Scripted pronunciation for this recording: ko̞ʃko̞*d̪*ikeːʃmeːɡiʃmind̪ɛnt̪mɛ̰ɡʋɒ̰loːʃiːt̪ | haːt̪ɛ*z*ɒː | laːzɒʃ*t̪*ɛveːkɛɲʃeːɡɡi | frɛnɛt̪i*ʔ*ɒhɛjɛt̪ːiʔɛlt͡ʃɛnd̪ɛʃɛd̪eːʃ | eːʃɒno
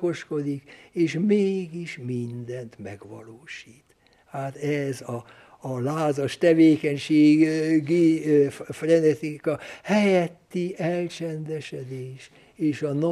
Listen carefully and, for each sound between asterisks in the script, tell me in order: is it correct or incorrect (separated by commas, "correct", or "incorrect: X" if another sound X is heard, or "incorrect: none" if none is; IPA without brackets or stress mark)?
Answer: correct, correct, correct, incorrect: k